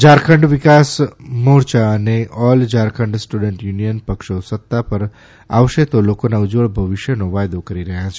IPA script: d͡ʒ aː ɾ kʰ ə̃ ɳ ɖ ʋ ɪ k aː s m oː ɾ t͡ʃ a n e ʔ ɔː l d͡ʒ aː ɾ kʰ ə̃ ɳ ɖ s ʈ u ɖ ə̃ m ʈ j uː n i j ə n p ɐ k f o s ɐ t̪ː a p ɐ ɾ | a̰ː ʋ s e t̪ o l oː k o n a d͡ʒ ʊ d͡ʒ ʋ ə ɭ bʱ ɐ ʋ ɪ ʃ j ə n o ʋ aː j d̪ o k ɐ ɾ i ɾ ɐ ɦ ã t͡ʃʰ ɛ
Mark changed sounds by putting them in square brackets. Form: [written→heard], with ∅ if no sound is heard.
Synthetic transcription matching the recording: d͡ʒ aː ɾ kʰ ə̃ ɳ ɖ ʋ ɪ k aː s m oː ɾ t͡ʃ a n e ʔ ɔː l d͡ʒ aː ɾ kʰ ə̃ ɳ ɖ s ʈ u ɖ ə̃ [m→ɳ] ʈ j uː n i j ə n p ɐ k [f→ʃ] o s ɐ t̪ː a p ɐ ɾ | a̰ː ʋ [s→ʃ] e t̪ o l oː k o n a [d͡ʒ→∅] ʊ d͡ʒ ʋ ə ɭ bʱ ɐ ʋ ɪ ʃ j ə n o ʋ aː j d̪ o k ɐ ɾ i ɾ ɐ ɦ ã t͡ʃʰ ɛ